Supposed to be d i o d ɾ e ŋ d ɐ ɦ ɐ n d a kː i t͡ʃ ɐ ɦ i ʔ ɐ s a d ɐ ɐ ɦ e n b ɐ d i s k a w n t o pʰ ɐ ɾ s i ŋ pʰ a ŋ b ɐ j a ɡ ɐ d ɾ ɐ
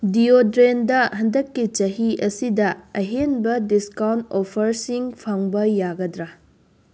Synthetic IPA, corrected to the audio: d i o d ɾ e n d ɐ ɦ ɐ n d ɐ kː i t͡ʃ ɐ ɦ i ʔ ɐ s i d ɐ ɐ ɦ e n b ɐ d i s k a w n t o pʰ ɐ ɾ s i ŋ pʰ a ŋ b ɐ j a ɡ ɐ d ɾ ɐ